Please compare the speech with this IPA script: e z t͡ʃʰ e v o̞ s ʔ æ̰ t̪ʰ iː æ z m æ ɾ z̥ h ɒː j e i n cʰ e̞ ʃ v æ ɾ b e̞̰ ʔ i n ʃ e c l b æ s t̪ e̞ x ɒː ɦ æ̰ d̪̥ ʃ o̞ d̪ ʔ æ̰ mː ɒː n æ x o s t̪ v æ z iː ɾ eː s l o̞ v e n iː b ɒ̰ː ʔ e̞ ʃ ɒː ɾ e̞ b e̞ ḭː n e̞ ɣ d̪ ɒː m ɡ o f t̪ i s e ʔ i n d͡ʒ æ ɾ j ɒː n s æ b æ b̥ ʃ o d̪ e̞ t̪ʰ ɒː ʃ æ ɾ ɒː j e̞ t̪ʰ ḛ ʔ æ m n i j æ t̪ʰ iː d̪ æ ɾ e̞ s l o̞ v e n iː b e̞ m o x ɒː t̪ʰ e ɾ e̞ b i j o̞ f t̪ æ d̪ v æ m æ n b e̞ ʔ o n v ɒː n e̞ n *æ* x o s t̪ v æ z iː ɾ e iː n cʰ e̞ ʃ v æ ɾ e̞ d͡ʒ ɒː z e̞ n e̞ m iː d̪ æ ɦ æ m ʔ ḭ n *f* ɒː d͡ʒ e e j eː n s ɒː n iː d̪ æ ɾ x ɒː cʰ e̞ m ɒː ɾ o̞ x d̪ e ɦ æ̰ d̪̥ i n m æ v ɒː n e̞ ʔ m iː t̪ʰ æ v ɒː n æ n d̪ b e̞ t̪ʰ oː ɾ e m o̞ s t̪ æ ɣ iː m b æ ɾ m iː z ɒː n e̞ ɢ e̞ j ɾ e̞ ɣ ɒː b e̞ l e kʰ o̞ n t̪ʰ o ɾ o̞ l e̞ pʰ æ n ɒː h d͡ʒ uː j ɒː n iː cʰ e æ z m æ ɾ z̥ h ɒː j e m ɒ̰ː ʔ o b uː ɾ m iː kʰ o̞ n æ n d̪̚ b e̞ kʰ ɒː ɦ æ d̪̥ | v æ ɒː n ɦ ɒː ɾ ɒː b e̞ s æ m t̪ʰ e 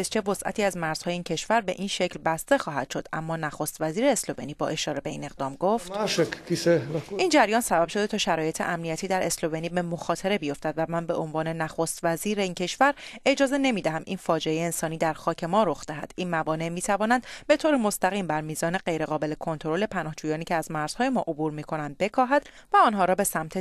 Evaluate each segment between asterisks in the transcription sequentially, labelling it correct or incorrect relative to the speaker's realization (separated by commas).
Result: correct, correct